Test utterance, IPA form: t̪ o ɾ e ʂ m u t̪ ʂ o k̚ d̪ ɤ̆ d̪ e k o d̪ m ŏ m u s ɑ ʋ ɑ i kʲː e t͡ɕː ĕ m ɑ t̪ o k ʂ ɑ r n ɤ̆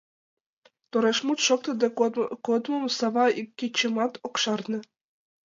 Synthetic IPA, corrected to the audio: t̪ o ɾ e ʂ m u t̪ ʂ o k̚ t̪ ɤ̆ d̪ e k o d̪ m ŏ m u s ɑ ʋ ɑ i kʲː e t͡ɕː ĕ m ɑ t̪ o k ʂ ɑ r n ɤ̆